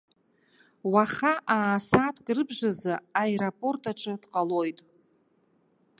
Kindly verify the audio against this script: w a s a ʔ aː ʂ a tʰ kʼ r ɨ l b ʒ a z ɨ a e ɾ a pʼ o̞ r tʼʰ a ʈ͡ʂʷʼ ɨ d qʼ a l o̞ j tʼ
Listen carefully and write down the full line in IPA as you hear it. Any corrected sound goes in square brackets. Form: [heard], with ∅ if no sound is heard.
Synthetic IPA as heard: w a [χ] a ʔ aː [s] a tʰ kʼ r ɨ [∅] b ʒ a z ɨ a e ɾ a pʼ o̞ r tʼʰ a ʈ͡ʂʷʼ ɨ d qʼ a l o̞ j tʼ